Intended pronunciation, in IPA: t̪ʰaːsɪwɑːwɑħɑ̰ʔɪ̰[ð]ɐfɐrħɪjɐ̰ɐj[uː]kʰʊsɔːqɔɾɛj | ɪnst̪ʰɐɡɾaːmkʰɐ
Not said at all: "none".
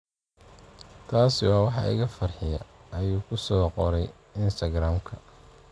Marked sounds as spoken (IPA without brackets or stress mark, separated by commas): ɣ, uː